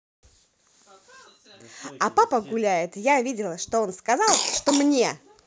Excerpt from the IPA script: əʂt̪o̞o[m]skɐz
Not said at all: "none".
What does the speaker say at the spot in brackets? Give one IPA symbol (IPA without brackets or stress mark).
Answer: n